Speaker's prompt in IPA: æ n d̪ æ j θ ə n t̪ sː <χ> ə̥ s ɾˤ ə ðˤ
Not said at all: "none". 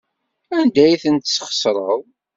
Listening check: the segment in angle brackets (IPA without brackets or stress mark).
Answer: χ